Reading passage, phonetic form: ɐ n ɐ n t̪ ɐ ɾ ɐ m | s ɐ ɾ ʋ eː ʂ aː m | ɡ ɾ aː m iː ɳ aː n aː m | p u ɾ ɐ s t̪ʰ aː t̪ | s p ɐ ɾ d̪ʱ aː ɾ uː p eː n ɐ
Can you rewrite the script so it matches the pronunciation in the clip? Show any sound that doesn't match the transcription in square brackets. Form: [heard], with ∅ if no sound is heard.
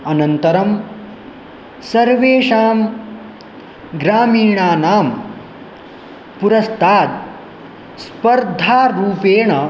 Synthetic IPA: ɐ n ɐ n t̪ ɐ ɾ ɐ m | s ɐ ɾ ʋ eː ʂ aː m | ɡ ɾ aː m iː ɳ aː n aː m | p u ɾ ɐ s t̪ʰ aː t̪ | s p ɐ ɾ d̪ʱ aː ɾ uː p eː [ɳ] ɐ